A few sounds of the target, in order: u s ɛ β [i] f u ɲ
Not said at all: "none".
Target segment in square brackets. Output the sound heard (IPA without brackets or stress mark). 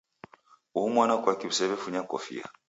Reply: ɛ